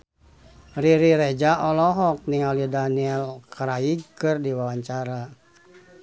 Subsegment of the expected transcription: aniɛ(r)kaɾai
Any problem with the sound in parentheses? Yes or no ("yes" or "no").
yes